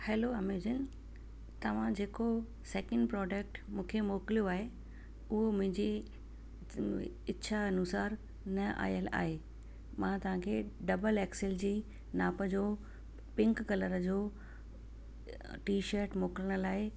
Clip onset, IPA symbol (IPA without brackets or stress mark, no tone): h